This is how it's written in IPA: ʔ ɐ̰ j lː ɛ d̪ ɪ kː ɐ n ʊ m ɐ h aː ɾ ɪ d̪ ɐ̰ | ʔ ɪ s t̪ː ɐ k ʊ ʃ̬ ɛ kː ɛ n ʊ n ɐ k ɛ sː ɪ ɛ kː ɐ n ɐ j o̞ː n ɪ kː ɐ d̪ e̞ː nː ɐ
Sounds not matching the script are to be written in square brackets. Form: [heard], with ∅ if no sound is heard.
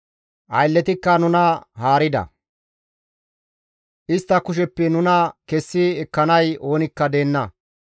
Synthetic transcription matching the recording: ʔ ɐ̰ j lː ɛ [t̪] ɪ kː ɐ n ʊ [n] ɐ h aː ɾ ɪ d̪ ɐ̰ | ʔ ɪ s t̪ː ɐ k ʊ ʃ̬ ɛ [pː] ɛ n ʊ n ɐ k ɛ sː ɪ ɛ kː ɐ n ɐ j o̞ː n ɪ kː ɐ d̪ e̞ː nː ɐ